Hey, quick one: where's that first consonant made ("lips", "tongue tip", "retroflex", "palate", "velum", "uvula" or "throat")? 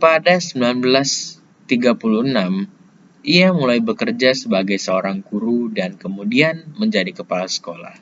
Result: lips